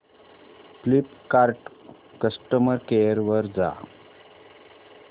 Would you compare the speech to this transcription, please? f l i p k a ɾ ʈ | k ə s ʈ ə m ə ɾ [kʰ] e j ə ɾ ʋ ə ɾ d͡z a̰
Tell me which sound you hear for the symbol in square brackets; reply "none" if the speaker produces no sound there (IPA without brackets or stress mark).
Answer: k